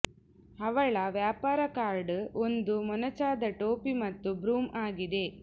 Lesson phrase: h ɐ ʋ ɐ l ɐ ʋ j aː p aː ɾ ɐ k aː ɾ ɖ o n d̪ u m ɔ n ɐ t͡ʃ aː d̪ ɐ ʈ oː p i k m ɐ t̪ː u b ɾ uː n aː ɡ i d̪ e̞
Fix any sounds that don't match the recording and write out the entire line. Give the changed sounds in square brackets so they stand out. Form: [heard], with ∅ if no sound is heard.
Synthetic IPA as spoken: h ɐ ʋ ɐ [ɭ] ɐ ʋ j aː p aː ɾ ɐ k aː ɾ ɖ o n d̪ u m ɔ n ɐ t͡ʃ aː d̪ ɐ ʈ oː p i [∅] m ɐ t̪ː u b ɾ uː [m] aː ɡ i d̪ e̞